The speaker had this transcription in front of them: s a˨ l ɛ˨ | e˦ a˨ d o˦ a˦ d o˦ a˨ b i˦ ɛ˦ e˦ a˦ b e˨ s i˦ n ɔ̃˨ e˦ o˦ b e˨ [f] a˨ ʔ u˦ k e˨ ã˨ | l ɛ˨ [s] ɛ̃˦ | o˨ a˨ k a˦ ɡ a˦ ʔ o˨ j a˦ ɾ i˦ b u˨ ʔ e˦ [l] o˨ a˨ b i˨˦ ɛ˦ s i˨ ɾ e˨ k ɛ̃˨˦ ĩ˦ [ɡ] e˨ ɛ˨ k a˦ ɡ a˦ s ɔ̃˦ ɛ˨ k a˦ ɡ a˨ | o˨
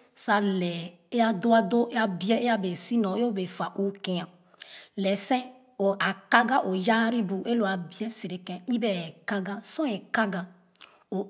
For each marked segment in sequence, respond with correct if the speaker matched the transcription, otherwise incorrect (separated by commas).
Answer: correct, correct, correct, incorrect